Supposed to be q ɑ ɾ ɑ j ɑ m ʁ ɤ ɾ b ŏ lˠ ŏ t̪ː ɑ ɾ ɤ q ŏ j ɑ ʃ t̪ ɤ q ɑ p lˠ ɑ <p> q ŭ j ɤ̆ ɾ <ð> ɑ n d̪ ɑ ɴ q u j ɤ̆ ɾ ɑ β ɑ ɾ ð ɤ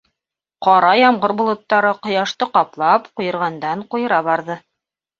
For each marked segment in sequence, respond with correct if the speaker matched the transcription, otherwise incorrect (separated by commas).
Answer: correct, incorrect